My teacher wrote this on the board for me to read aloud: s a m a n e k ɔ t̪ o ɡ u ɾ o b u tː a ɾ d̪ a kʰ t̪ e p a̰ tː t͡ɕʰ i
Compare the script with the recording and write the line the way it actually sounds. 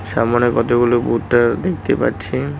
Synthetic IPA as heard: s a m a n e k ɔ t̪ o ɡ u l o b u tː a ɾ d̪ e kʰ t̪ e p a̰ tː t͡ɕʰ i